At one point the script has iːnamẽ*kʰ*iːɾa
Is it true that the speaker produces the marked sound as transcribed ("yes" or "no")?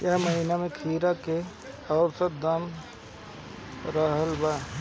yes